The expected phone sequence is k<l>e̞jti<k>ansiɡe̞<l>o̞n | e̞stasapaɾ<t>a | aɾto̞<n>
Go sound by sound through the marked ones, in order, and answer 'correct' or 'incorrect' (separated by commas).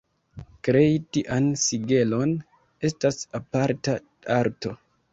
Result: incorrect, incorrect, correct, correct, incorrect